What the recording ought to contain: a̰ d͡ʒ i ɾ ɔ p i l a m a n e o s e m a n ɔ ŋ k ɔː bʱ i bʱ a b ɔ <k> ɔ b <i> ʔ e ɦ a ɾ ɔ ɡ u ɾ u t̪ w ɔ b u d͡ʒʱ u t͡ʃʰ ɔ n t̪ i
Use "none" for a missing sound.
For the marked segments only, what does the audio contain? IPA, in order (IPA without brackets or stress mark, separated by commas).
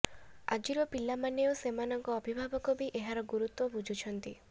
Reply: k, i